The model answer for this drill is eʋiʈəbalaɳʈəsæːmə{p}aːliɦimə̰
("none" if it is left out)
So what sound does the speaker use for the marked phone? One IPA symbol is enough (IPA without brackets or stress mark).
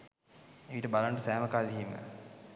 k